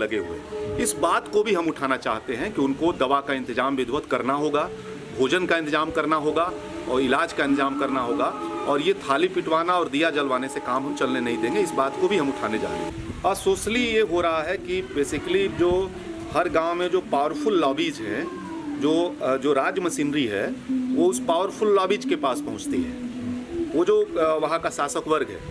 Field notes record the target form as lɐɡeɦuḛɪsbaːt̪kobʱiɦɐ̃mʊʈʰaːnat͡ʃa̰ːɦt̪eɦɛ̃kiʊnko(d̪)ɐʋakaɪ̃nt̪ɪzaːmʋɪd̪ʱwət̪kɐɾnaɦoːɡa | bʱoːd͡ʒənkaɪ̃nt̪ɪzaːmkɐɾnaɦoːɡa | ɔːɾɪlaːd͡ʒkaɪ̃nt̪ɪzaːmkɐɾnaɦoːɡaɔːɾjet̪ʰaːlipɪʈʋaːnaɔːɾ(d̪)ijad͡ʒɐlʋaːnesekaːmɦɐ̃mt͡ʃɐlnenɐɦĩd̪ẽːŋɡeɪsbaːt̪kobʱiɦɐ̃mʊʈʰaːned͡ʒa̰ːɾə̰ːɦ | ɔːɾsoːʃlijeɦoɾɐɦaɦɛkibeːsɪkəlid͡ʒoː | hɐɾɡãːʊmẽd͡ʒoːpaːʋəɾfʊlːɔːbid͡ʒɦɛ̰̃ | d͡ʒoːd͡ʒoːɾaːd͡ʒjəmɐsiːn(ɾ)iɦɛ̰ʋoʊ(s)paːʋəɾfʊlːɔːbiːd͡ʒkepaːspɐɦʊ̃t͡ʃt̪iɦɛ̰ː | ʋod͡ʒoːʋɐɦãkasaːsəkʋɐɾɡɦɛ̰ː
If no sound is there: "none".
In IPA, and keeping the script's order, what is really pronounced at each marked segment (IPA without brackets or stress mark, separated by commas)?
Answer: d̪, d̪, ɾ, s